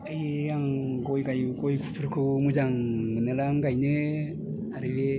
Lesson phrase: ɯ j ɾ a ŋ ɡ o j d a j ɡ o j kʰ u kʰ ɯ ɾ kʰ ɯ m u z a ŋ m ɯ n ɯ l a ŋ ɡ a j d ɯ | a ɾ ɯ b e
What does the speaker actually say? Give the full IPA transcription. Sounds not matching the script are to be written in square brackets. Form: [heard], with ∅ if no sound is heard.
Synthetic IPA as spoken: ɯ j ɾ a ŋ ɡ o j [ɡ] a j ɡ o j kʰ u [pʰ] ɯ ɾ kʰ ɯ m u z a ŋ m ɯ n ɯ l a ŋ ɡ a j [n] ɯ | a ɾ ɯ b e